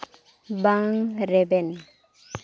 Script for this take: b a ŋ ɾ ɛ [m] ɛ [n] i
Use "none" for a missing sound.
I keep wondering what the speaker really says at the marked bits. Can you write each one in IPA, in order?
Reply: b, n

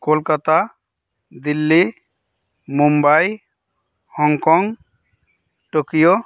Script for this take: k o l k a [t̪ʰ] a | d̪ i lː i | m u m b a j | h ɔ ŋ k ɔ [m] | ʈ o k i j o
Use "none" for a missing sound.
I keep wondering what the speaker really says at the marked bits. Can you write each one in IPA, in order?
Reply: t̪, ŋ

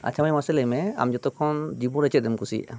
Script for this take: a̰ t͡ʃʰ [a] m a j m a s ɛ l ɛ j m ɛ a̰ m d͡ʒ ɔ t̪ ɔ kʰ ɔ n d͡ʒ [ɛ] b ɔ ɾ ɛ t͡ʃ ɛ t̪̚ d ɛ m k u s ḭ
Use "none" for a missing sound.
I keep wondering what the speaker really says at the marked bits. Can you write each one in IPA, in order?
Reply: a, i

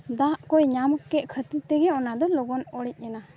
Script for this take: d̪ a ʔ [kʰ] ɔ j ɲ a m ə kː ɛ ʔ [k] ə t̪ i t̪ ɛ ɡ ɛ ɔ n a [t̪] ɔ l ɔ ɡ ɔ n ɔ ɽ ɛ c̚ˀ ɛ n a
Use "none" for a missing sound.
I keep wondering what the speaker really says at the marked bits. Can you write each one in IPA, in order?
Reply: k, kʰ, d̪

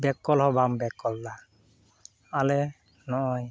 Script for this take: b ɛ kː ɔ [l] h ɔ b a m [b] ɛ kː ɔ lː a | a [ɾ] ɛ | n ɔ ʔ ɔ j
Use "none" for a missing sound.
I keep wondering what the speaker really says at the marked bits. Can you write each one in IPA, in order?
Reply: l, b, l

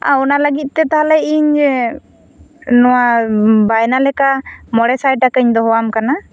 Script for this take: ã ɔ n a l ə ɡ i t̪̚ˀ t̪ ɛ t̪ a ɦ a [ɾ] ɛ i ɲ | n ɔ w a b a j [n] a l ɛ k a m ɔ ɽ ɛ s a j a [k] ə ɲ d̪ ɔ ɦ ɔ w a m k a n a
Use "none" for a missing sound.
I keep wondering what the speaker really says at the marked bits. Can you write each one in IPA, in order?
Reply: l, n, k

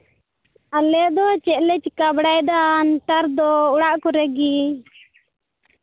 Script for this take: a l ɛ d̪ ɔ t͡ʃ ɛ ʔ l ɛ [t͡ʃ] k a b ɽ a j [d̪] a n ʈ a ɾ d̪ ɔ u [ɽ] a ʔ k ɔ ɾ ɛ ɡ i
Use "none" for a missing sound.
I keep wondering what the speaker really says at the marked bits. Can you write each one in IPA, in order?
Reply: t͡ʃ, d̪, ɽ

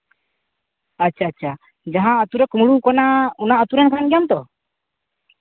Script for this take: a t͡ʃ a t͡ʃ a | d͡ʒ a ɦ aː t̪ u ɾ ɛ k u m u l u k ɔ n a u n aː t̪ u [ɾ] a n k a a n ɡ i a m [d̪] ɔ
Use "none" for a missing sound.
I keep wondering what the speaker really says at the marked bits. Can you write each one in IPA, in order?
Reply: ɾ, t̪

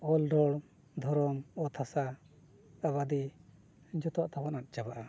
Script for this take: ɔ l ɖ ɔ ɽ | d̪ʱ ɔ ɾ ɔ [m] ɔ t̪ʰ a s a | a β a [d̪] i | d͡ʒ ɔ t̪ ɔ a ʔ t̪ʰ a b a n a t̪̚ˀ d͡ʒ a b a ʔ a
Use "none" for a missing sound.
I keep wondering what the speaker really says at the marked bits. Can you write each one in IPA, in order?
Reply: m, d̪

